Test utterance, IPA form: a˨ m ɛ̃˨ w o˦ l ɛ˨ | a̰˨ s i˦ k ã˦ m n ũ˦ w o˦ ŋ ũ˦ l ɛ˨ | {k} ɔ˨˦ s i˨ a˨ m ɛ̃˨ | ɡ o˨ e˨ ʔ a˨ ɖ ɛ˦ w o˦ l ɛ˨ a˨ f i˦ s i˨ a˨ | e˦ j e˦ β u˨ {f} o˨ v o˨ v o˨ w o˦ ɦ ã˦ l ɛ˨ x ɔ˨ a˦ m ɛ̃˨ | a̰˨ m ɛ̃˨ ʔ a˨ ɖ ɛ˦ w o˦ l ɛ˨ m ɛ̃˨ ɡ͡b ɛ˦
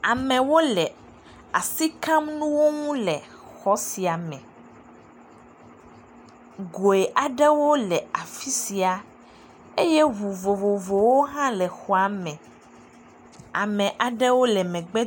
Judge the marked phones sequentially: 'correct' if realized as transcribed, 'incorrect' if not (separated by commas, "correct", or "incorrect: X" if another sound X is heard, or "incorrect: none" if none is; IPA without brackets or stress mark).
incorrect: x, incorrect: v